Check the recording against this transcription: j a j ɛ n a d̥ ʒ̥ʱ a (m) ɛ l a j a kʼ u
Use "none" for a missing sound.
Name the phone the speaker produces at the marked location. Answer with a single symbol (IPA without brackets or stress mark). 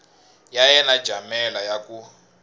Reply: m